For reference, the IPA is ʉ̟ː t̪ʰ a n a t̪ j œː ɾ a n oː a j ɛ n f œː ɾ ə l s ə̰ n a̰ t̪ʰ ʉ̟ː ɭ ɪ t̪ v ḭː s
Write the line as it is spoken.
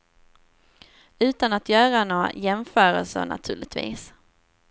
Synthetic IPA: ʉ̟ː t̪ a n a t̪ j œː ɾ a n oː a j ɛ m f œː ɾ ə l s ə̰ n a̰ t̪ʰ ʉ̟ː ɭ ɪ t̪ v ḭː s